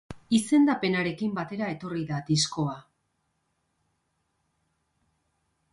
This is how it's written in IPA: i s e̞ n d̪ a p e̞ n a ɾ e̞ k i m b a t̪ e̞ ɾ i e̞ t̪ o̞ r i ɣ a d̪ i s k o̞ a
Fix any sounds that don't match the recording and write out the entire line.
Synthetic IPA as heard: i s e̞ n d̪ a p e̞ n a ɾ e̞ k i m b a t̪ e̞ ɾ a e̞ t̪ o̞ r i ð a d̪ i s k o̞ a